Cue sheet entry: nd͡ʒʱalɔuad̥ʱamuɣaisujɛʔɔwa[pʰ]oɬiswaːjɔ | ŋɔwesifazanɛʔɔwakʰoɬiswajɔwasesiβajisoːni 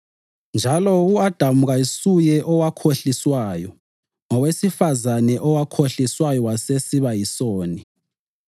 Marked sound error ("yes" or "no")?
yes